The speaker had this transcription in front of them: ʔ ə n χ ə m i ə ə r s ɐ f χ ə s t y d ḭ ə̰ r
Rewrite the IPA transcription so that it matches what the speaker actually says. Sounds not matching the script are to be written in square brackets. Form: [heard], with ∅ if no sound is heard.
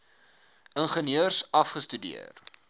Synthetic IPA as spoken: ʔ ə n χ ə [n] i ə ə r s ɐ f χ ə s t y d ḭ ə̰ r